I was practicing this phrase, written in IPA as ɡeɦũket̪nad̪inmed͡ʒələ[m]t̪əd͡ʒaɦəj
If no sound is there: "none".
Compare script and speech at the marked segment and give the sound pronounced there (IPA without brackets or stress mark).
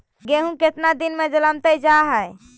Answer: m